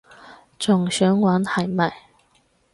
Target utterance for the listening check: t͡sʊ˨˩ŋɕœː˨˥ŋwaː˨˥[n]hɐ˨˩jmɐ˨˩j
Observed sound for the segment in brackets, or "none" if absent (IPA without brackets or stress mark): n